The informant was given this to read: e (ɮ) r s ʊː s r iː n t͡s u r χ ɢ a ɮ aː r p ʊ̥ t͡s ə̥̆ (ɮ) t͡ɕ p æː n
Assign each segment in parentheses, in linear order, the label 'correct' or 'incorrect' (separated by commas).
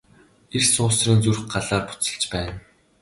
incorrect, correct